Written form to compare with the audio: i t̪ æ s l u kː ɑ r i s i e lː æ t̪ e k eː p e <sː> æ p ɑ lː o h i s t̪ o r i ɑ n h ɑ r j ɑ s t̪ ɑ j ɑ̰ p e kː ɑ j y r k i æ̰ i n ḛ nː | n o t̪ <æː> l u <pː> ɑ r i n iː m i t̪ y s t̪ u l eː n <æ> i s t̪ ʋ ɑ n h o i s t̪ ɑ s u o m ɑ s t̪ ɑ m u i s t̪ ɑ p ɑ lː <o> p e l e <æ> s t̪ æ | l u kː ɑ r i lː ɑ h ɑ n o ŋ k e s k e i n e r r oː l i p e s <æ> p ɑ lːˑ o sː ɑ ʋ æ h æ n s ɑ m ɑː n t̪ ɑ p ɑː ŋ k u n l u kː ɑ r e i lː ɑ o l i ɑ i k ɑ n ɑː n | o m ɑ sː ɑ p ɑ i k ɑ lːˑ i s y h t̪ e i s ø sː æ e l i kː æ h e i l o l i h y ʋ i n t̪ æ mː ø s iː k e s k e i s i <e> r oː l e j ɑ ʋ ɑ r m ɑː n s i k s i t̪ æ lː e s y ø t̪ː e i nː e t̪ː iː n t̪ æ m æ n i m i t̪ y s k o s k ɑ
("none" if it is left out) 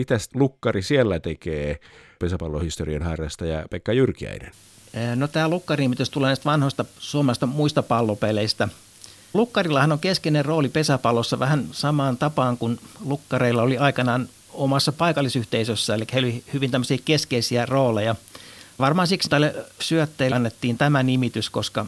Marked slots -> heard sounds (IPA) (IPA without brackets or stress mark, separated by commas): s, æː, kː, æ, o, i, æ, æ